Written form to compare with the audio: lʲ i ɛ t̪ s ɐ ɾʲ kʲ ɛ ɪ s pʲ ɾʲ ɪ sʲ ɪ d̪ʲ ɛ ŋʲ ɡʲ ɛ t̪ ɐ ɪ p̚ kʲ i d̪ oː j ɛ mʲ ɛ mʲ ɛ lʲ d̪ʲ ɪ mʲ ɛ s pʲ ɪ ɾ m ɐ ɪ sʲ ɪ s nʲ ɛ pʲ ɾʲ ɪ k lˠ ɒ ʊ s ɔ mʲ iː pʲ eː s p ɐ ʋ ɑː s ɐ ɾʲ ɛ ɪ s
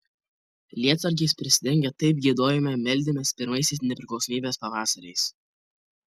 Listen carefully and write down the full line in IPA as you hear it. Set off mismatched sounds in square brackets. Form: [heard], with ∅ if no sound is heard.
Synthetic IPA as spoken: lʲ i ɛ t̪ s ɐ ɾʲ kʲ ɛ ɪ s pʲ ɾʲ ɪ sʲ ɪ d̪ʲ ɛ ŋʲ ɡʲ ɛ t̪ ɐ ɪ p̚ [ɡʲ] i d̪ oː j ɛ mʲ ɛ mʲ ɛ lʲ d̪ʲ ɪ mʲ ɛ s pʲ ɪ ɾ m ɐ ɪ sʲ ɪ s nʲ ɛ pʲ ɾʲ ɪ k lˠ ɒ ʊ s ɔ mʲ iː [bʲ] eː s p ɐ ʋ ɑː s ɐ ɾʲ ɛ ɪ s